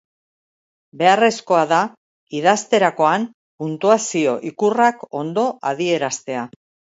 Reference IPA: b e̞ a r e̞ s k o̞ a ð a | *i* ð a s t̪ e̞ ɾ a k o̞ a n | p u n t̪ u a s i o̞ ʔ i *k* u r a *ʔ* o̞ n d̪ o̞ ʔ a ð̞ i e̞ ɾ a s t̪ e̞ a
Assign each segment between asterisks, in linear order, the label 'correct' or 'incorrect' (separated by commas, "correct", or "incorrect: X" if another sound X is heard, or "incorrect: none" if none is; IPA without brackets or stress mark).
correct, correct, incorrect: k